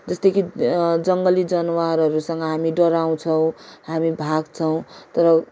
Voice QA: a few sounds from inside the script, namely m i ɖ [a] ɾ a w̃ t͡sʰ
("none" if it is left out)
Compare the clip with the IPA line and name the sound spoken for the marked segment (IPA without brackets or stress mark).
ʌ